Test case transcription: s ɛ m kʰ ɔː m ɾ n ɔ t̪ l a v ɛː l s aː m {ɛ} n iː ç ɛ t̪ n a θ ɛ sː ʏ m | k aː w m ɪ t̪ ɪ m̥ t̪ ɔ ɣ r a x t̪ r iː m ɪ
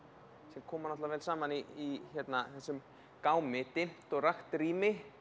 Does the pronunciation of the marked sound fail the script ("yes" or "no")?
yes